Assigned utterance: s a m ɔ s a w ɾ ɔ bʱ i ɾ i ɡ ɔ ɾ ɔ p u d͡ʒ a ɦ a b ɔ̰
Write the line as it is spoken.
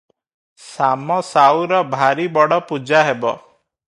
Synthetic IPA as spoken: s a m ɔ s a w ɾ ɔ bʱ a ɾ i b ɔ ɽ ɔ p u d͡ʒ a ɦ e b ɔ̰